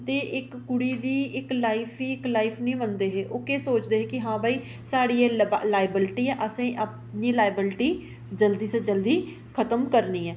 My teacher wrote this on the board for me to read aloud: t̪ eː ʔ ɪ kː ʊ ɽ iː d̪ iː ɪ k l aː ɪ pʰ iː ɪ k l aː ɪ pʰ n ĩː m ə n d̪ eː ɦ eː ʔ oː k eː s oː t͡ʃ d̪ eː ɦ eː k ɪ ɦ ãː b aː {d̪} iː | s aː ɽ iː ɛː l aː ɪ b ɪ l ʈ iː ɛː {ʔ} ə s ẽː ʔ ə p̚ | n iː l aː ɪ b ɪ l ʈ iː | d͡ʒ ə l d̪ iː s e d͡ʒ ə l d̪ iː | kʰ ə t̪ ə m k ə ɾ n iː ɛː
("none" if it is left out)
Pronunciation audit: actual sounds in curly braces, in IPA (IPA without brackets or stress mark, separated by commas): none, ʔ